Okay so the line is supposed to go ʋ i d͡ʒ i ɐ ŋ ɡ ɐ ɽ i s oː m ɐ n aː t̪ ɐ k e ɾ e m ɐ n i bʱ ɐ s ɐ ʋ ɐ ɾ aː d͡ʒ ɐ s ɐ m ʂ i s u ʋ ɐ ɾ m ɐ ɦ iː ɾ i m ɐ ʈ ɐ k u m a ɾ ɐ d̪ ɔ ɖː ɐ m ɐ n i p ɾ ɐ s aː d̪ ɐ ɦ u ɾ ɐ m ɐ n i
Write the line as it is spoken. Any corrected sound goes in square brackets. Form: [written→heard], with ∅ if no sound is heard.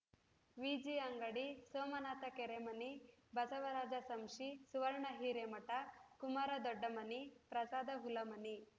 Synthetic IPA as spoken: ʋ i d͡ʒ i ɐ ŋ ɡ ɐ ɽ i s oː m ɐ n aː t̪ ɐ k e ɾ e m ɐ n i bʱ ɐ s ɐ ʋ ɐ ɾ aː d͡ʒ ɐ s ɐ m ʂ i s u ʋ ɐ ɾ [m→ɳ] ɐ ɦ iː ɾ [i→e] m ɐ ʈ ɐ k u m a ɾ ɐ d̪ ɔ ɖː ɐ m ɐ n i p ɾ ɐ s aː d̪ ɐ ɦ u [ɾ→l] ɐ m ɐ n i